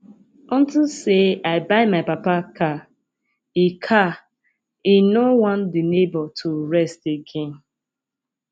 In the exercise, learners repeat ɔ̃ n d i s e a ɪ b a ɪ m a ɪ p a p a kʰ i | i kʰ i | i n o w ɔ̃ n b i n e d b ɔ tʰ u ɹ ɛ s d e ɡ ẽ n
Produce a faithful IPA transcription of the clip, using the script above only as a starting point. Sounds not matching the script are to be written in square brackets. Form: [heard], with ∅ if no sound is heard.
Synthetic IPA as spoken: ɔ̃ n [t] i s e a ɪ b a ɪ m a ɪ p a p a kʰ [a] | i kʰ [a] | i n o w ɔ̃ n [d] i n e [∅] b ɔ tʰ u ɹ ɛ s [t] e ɡ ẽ n